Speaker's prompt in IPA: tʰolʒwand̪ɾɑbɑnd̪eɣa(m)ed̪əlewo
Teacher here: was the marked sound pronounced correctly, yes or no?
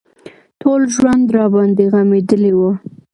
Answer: yes